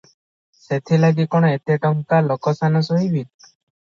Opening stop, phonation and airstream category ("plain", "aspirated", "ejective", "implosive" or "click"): aspirated